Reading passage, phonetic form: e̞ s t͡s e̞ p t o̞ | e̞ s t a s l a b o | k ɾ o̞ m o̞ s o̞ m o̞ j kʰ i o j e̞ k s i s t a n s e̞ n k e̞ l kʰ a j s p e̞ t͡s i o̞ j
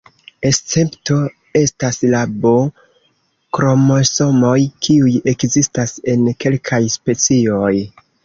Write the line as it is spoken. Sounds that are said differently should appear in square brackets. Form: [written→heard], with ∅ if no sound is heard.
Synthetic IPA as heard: e̞ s t͡s e̞ p t o̞ | e̞ s t a s l a b o | k ɾ o̞ m o̞ s o̞ m o̞ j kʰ i [o→u] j e̞ k [s→z] i s t a [n→∅] s e̞ n k e̞ l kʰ a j s p e̞ t͡s i o̞ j